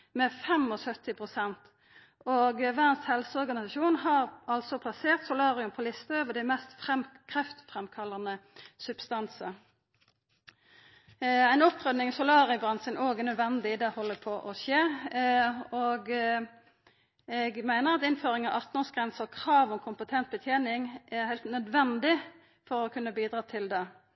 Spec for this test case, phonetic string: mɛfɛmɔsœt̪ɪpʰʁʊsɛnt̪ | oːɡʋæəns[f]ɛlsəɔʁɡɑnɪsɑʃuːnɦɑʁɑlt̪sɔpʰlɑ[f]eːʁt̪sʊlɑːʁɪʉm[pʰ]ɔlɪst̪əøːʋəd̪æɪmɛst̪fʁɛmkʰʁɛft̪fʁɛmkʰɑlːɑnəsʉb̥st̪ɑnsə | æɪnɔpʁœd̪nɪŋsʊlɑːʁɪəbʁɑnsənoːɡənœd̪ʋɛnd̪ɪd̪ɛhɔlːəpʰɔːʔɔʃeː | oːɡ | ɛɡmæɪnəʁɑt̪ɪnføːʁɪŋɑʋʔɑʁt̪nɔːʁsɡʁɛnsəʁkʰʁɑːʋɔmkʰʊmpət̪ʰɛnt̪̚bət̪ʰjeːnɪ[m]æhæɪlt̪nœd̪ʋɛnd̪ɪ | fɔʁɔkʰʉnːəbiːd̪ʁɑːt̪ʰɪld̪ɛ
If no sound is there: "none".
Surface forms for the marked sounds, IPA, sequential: h, s, pʰ, ŋ

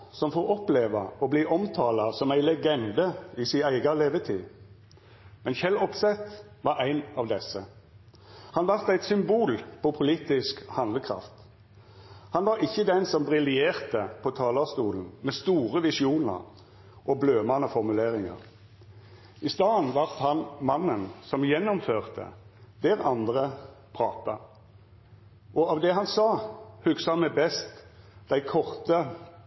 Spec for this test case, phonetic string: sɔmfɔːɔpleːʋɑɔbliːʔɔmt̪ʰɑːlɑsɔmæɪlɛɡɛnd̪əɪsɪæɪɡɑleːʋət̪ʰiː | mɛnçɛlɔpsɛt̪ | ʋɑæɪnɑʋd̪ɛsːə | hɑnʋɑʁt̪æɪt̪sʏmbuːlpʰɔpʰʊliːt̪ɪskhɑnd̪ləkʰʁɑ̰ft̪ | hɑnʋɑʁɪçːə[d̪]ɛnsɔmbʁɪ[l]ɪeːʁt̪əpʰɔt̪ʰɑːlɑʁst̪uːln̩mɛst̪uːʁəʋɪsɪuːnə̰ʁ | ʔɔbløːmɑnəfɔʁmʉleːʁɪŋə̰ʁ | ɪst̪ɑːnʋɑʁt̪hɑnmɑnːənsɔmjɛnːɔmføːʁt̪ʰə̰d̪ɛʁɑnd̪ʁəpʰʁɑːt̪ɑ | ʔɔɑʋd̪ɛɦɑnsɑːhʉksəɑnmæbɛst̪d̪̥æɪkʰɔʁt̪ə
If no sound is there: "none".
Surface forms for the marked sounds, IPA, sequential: d̪, l

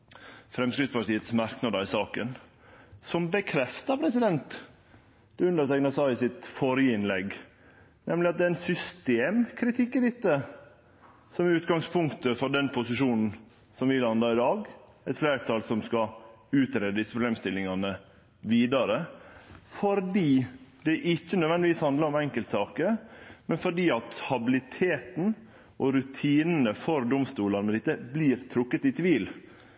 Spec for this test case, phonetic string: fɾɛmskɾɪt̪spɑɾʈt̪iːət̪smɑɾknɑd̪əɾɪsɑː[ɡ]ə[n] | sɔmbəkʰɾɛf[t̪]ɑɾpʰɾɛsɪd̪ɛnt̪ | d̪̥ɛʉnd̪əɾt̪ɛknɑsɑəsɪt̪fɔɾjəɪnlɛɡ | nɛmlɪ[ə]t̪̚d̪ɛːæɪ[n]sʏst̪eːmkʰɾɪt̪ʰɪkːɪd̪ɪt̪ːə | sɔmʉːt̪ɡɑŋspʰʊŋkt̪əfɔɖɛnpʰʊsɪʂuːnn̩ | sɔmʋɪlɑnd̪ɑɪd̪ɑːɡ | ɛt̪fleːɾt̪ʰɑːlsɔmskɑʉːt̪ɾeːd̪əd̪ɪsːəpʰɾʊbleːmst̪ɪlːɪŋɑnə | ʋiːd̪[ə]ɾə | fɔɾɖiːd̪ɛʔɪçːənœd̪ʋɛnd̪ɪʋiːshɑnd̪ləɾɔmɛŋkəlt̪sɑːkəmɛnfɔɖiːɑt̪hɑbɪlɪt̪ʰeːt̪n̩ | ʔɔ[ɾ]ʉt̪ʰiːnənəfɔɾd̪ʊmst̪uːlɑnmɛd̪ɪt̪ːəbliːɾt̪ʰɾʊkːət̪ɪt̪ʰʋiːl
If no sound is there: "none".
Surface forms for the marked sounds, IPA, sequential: k, n, t̪, ɑ, n, ɑ, ɾ

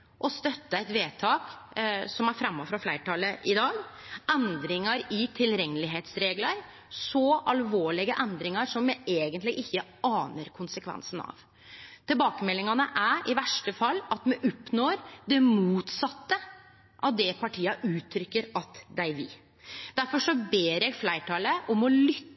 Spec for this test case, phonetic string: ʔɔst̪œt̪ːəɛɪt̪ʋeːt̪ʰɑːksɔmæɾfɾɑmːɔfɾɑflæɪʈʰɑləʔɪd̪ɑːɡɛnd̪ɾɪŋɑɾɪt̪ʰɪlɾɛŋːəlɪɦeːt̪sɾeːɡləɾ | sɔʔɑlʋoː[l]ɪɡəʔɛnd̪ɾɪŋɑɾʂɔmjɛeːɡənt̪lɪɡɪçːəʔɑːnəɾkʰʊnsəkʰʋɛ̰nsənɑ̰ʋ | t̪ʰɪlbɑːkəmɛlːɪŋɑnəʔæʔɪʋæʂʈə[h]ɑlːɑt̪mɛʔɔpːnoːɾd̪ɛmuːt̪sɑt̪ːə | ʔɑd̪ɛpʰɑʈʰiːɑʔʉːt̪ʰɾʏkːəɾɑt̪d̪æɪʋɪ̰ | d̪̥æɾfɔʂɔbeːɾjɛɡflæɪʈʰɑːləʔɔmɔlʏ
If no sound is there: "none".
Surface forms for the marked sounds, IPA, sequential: ɭ, f

